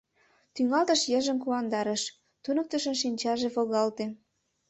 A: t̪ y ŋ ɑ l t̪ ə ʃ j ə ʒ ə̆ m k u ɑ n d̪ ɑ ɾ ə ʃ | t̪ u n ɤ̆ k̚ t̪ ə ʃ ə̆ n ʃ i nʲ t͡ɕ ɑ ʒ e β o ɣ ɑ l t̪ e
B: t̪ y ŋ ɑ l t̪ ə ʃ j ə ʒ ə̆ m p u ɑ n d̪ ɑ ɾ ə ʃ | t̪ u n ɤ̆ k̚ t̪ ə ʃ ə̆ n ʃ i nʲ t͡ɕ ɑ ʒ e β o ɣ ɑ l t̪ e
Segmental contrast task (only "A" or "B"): A